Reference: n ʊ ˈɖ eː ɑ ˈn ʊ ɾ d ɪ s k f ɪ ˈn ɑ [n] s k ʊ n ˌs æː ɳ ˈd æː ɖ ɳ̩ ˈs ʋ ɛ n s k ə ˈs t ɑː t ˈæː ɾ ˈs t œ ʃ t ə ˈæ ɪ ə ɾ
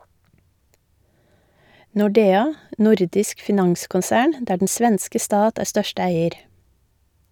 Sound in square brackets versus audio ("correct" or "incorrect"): incorrect